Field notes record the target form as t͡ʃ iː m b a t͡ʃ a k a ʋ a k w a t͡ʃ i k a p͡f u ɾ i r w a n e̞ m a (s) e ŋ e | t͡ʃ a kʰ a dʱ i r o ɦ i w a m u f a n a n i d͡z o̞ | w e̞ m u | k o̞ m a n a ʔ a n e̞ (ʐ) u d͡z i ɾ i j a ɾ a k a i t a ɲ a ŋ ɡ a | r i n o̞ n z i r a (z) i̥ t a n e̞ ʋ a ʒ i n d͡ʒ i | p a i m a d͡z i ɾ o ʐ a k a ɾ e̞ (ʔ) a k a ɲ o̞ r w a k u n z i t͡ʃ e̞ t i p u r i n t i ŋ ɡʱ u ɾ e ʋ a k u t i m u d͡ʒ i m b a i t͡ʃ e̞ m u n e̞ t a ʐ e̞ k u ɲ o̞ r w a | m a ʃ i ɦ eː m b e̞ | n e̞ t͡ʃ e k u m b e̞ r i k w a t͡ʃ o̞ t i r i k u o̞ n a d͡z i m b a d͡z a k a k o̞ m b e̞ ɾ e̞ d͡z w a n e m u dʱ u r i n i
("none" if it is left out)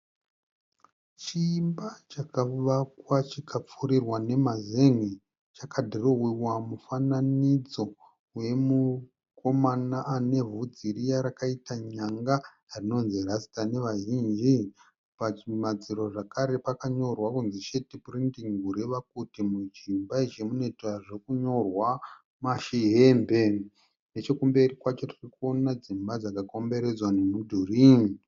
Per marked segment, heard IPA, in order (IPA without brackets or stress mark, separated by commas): z, v, s, p